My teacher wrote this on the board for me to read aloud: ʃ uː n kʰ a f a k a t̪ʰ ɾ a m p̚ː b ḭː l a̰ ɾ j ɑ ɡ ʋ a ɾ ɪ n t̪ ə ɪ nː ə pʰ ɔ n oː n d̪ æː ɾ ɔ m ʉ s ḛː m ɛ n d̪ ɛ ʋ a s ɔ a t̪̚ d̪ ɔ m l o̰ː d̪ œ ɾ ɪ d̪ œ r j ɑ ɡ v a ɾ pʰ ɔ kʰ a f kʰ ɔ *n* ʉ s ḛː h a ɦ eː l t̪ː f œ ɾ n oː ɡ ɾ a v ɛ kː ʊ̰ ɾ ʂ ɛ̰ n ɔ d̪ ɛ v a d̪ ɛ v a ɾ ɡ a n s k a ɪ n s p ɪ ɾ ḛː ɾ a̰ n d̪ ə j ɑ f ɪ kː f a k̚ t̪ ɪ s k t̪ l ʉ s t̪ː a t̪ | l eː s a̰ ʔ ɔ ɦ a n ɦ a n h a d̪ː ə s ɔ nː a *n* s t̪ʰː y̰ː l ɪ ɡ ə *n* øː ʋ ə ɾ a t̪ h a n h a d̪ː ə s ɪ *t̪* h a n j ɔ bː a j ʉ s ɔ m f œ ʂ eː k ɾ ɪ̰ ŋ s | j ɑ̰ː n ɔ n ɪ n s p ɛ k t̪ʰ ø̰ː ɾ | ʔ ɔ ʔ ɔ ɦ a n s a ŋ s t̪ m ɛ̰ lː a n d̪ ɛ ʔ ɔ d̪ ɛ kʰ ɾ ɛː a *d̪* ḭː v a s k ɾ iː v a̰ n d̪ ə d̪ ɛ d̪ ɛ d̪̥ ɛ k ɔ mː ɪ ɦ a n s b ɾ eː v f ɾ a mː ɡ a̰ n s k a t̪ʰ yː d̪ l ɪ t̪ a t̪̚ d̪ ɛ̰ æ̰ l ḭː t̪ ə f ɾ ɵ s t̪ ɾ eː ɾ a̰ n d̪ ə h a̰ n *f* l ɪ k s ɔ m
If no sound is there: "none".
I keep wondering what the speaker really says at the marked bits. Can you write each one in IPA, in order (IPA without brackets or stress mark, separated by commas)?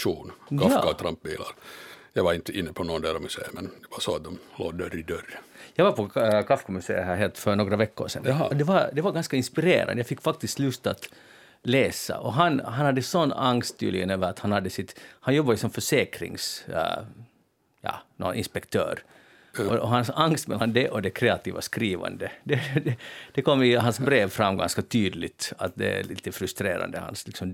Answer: m, ŋ, n, t̪, t̪, s